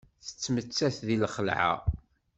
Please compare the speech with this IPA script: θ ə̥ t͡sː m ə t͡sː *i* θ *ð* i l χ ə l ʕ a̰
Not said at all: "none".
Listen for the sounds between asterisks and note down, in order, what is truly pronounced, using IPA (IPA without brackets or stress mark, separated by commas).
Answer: æ, ð